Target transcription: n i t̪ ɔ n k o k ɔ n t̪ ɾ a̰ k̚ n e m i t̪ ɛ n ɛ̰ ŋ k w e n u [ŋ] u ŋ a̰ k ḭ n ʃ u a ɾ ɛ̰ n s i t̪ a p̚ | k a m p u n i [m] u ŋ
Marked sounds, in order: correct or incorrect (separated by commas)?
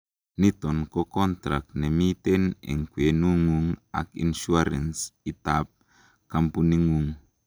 correct, incorrect